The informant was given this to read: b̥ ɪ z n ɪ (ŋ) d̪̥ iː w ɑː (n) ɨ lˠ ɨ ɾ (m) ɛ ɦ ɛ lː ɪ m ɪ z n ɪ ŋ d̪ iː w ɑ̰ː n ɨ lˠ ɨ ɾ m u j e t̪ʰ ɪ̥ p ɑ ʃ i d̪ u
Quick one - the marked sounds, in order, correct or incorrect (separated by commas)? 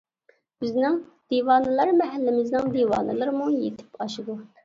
correct, correct, correct